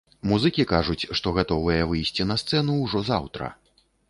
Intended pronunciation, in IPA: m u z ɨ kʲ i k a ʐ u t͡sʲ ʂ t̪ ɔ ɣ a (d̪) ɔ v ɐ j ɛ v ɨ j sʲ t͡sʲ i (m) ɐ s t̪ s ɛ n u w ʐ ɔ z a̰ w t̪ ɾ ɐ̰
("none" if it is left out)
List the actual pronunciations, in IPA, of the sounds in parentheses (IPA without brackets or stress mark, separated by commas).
t̪, n